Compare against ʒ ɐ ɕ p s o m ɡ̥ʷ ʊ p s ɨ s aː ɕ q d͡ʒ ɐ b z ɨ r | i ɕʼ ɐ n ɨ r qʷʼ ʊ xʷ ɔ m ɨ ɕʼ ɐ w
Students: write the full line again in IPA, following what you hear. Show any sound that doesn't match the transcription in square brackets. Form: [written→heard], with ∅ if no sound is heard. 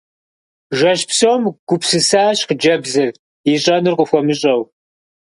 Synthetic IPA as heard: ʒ ɐ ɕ p s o m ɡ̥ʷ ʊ p s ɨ s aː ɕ q d͡ʒ ɐ b z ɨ r | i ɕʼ ɐ n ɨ r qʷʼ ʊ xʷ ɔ m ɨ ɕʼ ɐ w